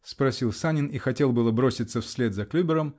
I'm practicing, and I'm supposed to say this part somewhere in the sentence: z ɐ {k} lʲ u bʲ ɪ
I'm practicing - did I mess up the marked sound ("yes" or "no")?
no